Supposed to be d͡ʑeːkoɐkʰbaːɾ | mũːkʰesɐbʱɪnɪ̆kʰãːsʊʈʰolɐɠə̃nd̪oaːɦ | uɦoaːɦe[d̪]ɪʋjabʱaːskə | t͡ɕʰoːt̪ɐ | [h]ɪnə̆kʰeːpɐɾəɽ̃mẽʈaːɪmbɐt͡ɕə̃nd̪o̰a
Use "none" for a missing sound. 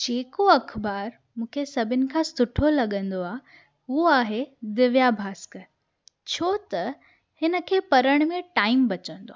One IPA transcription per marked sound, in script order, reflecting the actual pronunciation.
d̪, h

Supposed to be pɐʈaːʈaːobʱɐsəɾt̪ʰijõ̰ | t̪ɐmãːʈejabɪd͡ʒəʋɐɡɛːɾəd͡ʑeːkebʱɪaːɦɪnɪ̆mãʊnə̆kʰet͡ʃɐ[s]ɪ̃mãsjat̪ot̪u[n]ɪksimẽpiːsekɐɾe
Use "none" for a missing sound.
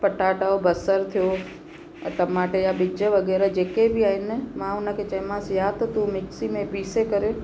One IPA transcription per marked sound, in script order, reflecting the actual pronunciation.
none, m

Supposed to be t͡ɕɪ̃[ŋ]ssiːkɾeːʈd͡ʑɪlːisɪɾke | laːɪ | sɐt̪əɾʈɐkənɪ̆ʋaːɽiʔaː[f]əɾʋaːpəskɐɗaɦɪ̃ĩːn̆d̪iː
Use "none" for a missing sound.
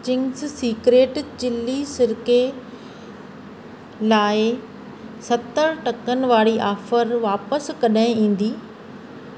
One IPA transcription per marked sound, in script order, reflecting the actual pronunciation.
ŋ, f

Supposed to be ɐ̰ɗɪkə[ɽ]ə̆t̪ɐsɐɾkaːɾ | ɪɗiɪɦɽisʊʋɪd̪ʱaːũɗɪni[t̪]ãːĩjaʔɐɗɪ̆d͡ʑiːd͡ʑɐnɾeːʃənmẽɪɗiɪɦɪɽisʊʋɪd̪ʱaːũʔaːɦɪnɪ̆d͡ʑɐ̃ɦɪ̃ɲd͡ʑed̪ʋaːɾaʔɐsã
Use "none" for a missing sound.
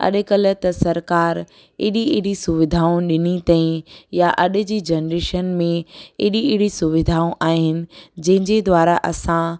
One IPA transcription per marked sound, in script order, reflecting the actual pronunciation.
l, t̪

